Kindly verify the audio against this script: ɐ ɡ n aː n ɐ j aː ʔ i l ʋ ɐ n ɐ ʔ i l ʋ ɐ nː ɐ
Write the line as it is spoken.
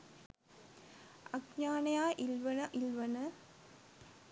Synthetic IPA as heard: ɐ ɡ ɲ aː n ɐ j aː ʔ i l ʋ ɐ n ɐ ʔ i l ʋ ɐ n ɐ